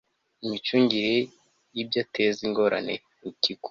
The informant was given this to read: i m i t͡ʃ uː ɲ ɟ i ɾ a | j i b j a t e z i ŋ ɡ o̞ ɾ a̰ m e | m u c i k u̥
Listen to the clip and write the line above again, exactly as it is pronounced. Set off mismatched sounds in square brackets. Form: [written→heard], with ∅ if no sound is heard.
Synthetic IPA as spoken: i m i t͡ʃ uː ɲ ɟ i ɾ [a→e] | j i b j a t e z i ŋ ɡ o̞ ɾ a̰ [m→n] e | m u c i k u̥